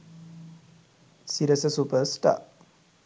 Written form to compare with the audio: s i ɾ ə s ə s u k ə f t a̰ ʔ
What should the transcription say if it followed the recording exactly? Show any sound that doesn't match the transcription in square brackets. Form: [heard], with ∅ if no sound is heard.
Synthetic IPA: s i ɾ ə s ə s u [p] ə [s] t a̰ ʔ